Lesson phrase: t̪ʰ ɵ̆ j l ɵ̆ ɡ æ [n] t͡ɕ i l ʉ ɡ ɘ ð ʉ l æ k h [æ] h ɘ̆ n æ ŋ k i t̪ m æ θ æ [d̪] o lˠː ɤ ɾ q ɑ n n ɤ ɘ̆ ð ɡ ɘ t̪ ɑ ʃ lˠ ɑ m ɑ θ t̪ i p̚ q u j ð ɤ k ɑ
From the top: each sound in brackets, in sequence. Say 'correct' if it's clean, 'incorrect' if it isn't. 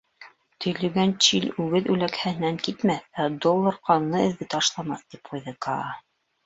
correct, correct, correct

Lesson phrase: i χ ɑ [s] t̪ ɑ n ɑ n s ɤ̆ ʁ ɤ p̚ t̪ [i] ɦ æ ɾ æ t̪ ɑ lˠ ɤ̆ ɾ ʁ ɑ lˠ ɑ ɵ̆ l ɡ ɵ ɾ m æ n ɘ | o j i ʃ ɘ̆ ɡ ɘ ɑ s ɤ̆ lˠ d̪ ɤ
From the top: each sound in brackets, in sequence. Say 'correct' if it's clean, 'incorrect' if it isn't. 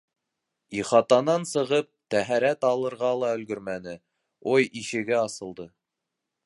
incorrect, incorrect

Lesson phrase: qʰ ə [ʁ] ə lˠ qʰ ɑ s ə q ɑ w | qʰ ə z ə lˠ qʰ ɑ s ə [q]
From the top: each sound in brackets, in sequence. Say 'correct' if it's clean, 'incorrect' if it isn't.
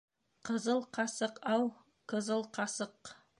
incorrect, correct

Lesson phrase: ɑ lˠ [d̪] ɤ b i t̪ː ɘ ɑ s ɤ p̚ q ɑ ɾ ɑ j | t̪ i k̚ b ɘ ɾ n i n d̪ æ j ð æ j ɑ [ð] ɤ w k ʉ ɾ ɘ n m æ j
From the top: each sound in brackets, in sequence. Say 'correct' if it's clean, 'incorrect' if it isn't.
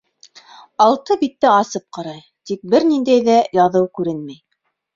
incorrect, correct

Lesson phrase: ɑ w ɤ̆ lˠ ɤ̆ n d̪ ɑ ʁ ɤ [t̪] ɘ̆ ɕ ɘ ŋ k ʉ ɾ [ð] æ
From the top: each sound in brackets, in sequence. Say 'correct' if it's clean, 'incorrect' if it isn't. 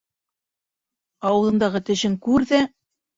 correct, correct

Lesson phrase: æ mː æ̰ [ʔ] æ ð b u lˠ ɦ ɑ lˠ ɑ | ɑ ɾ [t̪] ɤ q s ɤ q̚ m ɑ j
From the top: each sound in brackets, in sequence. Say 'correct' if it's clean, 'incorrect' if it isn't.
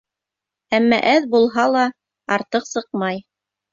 correct, correct

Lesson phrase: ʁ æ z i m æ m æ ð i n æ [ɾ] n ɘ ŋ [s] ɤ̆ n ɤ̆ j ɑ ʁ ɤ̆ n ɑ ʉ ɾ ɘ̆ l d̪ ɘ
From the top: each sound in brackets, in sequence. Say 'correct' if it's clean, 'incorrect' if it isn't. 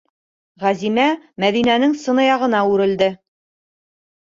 incorrect, correct

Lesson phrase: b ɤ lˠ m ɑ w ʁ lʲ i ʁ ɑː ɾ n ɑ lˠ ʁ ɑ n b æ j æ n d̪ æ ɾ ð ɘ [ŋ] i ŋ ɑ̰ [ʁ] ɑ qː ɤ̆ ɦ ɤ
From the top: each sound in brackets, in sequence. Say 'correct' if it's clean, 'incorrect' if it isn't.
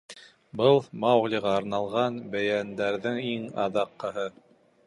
correct, incorrect

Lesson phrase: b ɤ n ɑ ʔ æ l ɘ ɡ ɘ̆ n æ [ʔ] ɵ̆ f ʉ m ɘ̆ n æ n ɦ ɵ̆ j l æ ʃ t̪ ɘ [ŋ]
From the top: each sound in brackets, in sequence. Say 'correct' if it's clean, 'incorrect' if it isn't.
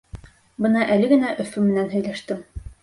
correct, incorrect

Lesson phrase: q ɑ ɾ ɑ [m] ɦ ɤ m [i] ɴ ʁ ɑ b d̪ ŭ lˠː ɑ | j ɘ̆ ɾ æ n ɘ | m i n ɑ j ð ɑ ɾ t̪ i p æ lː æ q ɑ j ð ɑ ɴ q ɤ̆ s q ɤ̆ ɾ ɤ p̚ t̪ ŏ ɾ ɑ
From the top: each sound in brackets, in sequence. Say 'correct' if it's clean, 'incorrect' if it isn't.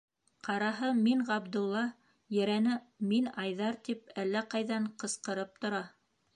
incorrect, correct

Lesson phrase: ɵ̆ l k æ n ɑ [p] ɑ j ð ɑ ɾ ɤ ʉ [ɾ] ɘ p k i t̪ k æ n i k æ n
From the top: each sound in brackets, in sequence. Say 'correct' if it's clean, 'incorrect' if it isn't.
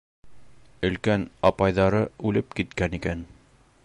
correct, incorrect

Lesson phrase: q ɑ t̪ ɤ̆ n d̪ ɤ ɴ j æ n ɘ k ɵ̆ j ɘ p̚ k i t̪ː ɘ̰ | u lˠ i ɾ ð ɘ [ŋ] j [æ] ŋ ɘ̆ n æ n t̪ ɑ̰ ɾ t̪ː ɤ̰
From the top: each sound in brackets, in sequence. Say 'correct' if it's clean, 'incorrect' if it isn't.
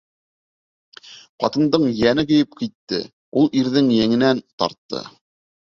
correct, correct

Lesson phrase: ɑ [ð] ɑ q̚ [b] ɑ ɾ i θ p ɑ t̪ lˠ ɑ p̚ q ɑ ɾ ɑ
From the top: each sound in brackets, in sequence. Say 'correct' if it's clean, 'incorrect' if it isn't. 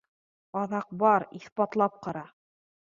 correct, correct

